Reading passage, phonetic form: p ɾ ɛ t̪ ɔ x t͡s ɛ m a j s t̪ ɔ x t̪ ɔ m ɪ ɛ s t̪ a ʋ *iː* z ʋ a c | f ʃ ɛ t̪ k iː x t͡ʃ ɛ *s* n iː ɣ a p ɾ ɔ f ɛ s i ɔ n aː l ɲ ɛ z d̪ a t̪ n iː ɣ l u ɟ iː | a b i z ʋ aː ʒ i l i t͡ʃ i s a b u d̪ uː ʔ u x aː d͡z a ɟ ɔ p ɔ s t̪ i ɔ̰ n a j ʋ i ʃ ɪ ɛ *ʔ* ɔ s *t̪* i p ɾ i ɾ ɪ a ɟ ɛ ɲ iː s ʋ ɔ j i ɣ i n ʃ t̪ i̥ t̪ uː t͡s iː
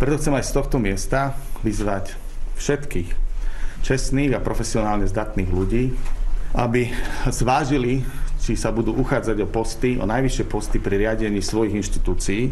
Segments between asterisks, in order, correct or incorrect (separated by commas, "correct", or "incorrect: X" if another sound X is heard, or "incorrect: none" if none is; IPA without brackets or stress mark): incorrect: i, correct, incorrect: p, correct